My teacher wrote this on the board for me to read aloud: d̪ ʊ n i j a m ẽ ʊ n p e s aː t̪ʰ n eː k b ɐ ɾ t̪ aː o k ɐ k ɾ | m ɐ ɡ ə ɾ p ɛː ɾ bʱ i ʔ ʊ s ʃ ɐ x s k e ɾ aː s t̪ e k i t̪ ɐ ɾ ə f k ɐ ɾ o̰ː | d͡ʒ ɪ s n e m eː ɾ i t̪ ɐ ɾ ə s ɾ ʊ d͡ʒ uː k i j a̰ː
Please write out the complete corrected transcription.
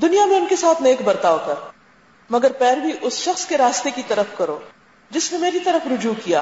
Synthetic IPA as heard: d̪ ʊ n i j a m ẽ ʊ n k e s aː t̪ʰ n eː k b ɐ ɾ t̪ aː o k ɐ ɾ | m ɐ ɡ ə ɾ p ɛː ɾ bʱ i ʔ ʊ s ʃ ɐ x s k e ɾ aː s t̪ e k i t̪ ɐ ɾ ə f k ɐ ɾ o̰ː | d͡ʒ ɪ s n e m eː ɾ i t̪ ɐ ɾ ə f ɾ ʊ d͡ʒ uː k i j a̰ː